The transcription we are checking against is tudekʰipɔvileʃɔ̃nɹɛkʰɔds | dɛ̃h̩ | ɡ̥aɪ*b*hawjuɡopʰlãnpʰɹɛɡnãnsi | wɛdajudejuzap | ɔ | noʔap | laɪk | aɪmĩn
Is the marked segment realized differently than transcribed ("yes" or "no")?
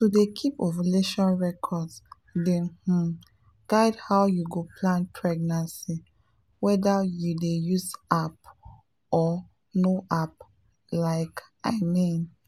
yes